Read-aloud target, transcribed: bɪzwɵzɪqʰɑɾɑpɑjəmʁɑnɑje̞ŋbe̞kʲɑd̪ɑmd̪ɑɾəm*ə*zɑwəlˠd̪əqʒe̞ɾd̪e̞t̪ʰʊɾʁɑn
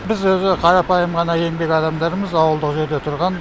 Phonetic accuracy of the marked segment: correct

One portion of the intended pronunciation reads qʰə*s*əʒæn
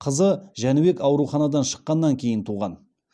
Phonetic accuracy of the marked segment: incorrect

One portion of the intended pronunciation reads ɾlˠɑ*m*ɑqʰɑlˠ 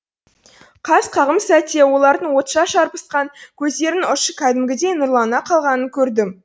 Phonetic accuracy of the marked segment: incorrect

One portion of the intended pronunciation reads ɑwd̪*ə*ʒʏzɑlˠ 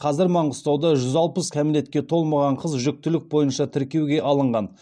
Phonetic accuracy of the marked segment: incorrect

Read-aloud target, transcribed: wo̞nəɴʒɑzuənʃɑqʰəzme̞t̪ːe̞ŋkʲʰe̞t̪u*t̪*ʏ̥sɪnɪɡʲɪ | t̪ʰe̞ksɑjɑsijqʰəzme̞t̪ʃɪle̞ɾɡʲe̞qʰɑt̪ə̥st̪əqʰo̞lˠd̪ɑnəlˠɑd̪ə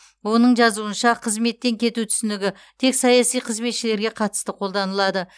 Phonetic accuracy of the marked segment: incorrect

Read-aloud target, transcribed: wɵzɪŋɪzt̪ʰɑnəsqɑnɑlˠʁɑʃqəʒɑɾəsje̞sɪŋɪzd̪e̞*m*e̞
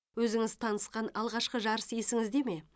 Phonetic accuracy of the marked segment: correct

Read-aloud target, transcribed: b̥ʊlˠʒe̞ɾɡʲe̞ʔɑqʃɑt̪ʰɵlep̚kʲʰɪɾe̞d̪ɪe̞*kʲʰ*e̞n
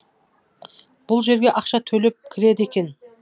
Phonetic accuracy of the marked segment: incorrect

